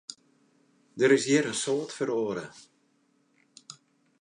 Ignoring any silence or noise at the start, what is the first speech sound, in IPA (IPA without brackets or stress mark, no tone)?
d